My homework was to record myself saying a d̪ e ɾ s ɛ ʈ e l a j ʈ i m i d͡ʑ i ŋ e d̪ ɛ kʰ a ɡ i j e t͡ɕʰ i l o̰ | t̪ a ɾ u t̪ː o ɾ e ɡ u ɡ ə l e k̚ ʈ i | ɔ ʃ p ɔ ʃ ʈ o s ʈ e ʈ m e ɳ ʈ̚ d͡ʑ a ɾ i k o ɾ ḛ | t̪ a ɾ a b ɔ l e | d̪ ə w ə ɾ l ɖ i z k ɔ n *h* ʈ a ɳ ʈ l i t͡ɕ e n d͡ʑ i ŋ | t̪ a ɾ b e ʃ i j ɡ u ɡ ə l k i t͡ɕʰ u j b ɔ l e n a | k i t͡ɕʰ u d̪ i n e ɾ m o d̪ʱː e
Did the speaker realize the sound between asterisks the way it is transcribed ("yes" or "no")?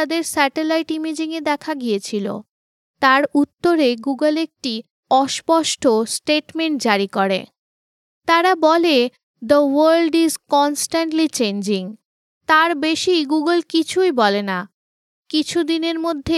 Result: no